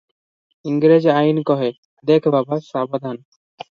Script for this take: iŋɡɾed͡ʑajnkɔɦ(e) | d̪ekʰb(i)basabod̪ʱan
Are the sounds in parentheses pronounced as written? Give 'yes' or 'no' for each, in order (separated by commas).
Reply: yes, no